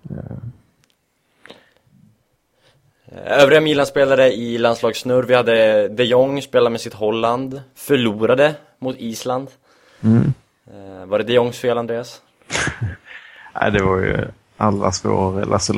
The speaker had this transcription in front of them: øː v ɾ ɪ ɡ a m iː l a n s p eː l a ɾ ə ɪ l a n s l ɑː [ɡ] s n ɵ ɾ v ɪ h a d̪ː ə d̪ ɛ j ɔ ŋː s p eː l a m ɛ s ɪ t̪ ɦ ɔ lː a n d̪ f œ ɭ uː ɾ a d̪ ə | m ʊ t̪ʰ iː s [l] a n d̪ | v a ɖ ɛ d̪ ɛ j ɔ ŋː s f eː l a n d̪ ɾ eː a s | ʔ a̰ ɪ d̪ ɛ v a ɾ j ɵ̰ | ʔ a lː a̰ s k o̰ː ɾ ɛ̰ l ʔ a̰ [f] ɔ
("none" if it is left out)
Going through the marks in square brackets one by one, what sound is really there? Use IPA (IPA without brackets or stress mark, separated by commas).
ɡ, l, s